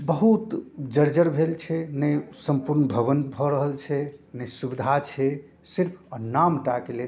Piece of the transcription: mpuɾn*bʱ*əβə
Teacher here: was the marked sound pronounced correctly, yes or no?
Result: yes